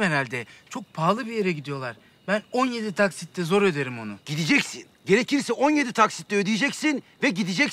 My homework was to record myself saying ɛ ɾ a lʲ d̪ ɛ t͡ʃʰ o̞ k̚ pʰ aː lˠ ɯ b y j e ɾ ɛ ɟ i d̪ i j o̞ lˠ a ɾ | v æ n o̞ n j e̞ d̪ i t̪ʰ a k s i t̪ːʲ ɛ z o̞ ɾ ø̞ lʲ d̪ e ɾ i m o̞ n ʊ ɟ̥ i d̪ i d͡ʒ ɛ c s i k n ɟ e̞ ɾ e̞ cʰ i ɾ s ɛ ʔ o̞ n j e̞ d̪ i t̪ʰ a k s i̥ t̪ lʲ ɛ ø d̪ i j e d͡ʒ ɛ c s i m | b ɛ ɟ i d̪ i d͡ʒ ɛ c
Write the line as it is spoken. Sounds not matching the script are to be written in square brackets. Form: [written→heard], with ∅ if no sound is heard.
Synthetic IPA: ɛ ɾ a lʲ d̪ ɛ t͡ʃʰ o̞ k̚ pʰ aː lˠ ɯ b [y→i] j e ɾ ɛ ɟ i d̪ i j o̞ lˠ a ɾ | [v→b] æ n o̞ n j e̞ d̪ i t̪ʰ a k s i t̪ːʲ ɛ z o̞ ɾ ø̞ [lʲ→∅] d̪ e ɾ i m o̞ n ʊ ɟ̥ i d̪ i d͡ʒ ɛ c s i [k→∅] n ɟ e̞ ɾ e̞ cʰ i ɾ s ɛ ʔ o̞ n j e̞ d̪ i t̪ʰ a k s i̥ t̪ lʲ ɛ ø d̪ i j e d͡ʒ ɛ c s i [m→n] | [b→v] ɛ ɟ i d̪ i d͡ʒ ɛ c